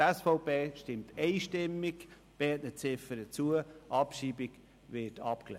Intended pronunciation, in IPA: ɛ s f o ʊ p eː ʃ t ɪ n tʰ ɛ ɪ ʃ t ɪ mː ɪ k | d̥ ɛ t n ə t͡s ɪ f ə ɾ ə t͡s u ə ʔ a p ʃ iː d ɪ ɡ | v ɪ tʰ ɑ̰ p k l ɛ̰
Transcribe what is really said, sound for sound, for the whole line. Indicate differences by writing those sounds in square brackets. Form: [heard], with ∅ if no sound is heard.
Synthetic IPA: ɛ s f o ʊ p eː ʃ t ɪ [m] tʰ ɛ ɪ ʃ t ɪ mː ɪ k | [b̥] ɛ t n ə t͡s ɪ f ə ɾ ə t͡s u ə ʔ [ɑ] p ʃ iː [b] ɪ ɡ | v ɪ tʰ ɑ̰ p k l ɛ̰